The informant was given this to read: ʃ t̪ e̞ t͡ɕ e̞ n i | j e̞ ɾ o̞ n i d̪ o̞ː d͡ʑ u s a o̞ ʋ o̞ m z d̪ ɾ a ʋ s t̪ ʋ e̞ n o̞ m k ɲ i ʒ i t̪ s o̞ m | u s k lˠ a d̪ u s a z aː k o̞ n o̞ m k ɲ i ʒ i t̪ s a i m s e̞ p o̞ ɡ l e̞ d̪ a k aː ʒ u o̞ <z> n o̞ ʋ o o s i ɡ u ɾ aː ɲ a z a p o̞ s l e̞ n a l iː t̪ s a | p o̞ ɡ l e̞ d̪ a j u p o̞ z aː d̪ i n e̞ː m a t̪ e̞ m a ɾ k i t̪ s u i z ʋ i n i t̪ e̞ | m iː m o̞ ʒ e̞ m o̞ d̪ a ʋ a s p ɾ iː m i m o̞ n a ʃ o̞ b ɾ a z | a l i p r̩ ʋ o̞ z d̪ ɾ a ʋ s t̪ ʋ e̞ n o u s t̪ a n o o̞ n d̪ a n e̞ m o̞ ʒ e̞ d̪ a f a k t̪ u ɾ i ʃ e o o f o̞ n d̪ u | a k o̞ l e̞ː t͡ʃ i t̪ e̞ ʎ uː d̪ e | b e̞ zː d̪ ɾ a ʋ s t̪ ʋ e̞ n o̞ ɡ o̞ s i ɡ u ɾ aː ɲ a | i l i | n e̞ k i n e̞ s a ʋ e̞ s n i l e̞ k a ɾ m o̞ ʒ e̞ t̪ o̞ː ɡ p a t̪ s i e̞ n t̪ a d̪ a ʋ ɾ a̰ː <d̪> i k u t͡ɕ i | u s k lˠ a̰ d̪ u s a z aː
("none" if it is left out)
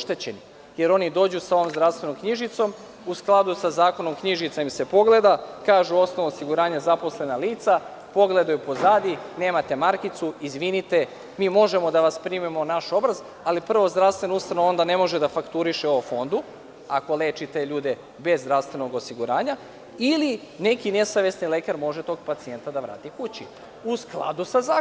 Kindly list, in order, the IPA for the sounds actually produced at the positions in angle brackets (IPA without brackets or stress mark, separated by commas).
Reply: s, t̪